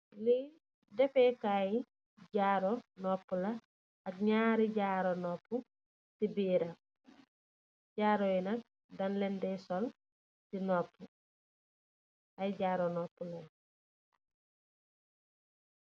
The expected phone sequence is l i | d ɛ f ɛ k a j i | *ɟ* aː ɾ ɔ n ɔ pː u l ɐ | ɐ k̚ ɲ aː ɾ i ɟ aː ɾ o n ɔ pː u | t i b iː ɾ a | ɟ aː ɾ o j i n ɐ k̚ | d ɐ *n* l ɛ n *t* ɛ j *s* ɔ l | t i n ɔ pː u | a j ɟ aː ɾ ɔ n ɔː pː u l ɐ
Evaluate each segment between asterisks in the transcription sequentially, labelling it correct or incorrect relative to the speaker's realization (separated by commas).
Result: correct, correct, incorrect, correct